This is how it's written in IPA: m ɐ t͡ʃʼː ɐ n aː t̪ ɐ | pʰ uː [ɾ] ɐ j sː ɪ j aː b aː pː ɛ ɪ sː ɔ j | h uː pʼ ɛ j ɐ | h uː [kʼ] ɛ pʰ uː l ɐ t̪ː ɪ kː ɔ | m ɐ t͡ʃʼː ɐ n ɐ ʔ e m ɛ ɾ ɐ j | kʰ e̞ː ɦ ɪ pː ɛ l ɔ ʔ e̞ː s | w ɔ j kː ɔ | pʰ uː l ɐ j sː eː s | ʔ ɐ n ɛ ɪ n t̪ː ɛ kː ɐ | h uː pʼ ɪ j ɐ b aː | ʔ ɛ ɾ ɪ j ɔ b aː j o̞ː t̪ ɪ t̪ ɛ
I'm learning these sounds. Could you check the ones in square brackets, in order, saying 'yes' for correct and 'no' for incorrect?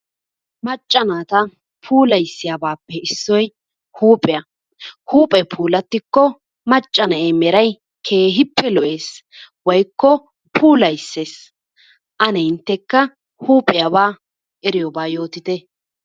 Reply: no, no

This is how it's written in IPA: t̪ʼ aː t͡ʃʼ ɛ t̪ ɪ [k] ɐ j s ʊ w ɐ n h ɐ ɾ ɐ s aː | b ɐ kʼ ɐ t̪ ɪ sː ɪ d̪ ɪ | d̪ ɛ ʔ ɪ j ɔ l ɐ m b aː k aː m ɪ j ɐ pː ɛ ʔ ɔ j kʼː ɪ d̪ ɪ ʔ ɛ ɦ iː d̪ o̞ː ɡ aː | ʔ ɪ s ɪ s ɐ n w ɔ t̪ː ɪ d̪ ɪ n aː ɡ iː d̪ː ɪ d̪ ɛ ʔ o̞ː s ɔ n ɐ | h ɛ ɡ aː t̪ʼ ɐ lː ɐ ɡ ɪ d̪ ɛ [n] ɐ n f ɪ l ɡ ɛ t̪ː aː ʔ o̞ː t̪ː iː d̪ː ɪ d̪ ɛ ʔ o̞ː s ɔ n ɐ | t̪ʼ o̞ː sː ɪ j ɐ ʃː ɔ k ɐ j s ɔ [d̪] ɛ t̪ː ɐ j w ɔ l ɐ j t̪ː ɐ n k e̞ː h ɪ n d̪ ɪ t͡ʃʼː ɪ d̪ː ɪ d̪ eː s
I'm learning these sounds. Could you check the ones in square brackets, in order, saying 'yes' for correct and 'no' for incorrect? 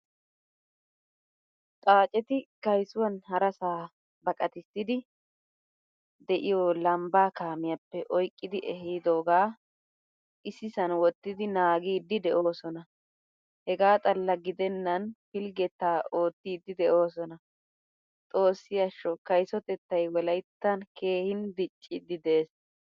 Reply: yes, no, no

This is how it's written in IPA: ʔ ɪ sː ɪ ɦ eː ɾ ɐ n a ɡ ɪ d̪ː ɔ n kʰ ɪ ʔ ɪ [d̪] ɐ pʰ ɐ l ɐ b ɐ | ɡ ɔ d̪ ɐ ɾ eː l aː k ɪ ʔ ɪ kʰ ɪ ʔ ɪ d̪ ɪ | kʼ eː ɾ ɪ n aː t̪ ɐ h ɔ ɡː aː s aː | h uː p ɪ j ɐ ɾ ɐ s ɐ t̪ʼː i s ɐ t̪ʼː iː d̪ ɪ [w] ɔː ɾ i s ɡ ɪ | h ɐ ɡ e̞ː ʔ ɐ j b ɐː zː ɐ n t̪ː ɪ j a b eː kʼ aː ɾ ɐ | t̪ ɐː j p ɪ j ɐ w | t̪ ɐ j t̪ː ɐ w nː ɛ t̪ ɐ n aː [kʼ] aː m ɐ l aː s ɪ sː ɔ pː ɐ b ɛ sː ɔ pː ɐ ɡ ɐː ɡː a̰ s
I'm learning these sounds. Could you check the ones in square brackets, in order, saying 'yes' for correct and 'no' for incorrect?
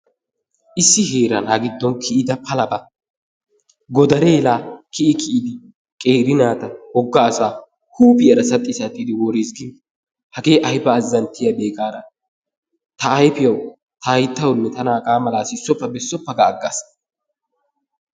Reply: yes, yes, yes

